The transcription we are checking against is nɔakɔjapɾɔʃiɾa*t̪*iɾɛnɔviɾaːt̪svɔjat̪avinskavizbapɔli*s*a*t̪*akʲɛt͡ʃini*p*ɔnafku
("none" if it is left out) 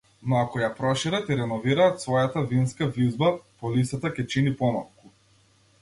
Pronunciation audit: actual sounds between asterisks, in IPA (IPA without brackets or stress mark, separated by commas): t̪, s, t̪, p